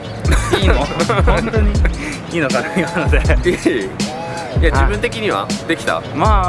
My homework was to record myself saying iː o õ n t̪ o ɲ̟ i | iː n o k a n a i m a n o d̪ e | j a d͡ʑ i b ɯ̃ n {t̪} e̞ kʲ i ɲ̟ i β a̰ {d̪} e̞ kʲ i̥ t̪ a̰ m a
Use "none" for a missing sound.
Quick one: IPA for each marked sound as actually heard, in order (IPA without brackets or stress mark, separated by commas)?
t̪, d̪